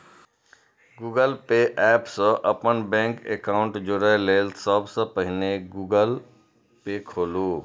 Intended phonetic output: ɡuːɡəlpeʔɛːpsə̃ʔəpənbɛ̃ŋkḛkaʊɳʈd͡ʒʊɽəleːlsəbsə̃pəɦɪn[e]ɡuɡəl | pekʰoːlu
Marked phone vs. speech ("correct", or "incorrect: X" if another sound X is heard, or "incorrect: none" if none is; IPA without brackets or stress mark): correct